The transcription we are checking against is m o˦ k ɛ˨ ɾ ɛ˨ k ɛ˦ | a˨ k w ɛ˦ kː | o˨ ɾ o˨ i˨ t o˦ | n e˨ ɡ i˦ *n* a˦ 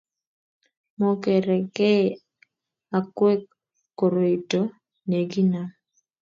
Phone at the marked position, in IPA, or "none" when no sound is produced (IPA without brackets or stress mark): n